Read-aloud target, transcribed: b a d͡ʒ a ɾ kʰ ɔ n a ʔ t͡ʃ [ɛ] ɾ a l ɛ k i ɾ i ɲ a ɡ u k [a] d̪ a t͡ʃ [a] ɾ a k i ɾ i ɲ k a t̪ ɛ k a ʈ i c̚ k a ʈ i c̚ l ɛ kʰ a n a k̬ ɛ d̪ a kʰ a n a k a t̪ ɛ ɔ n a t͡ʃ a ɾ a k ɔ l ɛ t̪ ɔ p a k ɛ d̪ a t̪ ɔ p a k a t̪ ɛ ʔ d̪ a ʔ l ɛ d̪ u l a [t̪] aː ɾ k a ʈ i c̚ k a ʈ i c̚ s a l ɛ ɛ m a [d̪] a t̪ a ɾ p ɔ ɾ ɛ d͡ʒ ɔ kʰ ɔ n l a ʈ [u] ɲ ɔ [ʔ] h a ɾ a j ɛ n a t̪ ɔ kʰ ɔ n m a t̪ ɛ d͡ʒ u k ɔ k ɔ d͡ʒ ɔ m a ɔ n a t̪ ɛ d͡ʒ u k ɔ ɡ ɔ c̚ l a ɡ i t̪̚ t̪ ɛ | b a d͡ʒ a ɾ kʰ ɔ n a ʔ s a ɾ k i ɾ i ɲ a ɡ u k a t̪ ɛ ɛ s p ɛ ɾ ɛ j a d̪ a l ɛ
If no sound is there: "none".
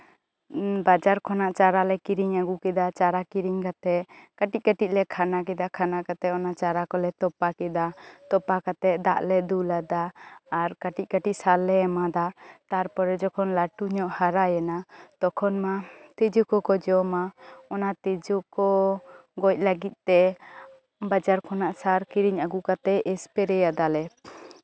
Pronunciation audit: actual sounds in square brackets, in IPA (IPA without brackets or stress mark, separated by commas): a, ɛ, a, d̪, d̪, u, ʔ